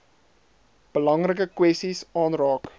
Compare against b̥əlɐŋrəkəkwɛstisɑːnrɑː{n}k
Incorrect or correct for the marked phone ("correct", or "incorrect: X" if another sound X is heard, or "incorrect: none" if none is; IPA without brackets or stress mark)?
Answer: incorrect: none